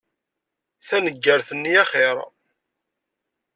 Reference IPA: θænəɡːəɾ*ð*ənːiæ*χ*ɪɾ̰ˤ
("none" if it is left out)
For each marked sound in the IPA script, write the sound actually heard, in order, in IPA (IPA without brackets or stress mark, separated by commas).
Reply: θ, χ